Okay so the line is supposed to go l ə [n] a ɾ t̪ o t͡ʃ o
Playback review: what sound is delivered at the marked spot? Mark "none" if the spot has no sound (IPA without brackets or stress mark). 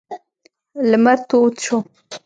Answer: m